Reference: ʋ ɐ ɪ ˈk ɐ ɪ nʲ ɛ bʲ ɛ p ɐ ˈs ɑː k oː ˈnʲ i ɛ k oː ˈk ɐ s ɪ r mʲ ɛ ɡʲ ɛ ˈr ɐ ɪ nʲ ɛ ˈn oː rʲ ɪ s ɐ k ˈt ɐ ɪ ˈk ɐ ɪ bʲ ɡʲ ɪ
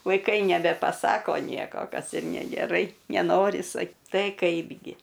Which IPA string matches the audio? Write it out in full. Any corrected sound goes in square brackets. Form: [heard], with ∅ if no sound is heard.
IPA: ʋ ɐ ɪ ˈk ɐ ɪ nʲ ɛ bʲ ɛ p ɐ ˈs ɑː k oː ˈnʲ i ɛ k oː ˈk ɐ s ɪ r [nʲ] ɛ ɡʲ ɛ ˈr ɐ ɪ nʲ ɛ ˈn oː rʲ ɪ s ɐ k ˈt ɐ ɪ ˈk ɐ ɪ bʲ ɡʲ ɪ